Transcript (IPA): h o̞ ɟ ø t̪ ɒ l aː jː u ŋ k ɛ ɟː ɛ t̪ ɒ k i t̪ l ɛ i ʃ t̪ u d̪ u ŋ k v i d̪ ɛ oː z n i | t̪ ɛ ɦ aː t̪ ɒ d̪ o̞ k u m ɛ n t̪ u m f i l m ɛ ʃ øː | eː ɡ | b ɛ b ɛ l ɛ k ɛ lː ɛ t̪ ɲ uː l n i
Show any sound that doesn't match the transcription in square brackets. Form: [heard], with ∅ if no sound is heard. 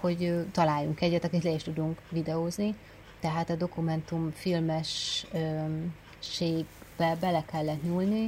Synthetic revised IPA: h o̞ ɟ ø t̪ ɒ l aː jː u ŋ k ɛ ɟː ɛ t̪ ɒ k i t̪ l ɛ i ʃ t̪ u d̪ u ŋ k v i d̪ ɛ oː z n i | t̪ ɛ ɦ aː t̪ ɒ d̪ o̞ k u m ɛ n t̪ u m f i l m ɛ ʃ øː | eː ɡ | b ɛ b ɛ l ɛ k ɛ lː ɛ t̪ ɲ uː l n i